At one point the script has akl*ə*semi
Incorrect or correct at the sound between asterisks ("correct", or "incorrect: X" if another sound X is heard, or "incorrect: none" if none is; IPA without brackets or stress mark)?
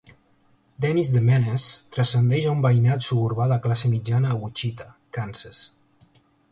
incorrect: a